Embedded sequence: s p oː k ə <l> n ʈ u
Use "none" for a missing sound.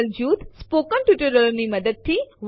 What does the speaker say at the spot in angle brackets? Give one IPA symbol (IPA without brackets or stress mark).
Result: none